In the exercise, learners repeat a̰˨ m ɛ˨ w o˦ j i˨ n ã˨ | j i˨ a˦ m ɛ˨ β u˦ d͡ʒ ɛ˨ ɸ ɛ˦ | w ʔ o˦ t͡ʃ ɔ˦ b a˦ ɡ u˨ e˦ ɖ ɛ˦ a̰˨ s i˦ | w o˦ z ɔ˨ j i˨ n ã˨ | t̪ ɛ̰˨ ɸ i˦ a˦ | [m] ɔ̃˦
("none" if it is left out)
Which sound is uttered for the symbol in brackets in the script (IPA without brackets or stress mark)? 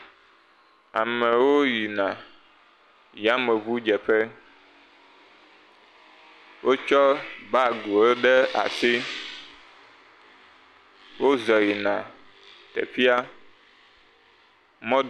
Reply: m